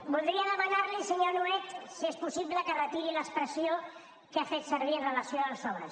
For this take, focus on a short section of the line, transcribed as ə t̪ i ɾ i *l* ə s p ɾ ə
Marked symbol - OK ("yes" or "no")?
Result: yes